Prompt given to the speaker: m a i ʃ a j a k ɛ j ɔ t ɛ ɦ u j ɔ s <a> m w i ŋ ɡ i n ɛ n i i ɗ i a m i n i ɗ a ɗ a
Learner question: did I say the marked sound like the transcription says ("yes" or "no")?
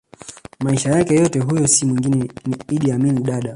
no